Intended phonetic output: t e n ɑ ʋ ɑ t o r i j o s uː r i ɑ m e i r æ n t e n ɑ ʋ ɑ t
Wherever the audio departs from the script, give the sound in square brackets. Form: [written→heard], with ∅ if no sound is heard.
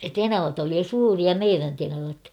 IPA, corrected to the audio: t e n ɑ ʋ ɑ t o [r→l] i j o s uː r i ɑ m e i r æ n t e n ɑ ʋ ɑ t